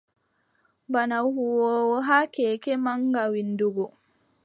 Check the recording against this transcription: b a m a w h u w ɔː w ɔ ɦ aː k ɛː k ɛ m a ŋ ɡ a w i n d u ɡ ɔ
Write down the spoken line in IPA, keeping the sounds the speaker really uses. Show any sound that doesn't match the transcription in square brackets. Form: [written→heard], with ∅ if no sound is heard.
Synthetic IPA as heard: b a [m→n] a w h u w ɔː w ɔ ɦ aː k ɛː k ɛ m a ŋ ɡ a w i n d u ɡ ɔ